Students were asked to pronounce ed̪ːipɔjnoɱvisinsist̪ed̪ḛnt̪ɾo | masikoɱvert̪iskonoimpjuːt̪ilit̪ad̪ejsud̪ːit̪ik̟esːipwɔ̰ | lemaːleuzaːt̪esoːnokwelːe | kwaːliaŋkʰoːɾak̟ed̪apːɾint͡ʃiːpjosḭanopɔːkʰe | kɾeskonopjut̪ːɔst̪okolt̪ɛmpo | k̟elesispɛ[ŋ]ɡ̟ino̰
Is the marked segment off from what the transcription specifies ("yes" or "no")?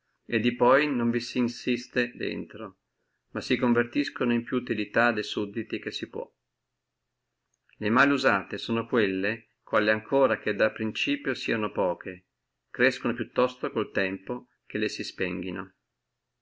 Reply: no